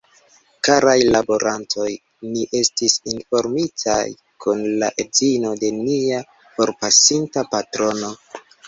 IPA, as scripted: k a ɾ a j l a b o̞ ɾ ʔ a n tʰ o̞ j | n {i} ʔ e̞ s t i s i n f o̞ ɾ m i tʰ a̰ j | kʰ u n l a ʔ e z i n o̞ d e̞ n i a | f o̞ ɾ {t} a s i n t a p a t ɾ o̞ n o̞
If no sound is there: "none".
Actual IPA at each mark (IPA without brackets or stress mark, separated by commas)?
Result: i, p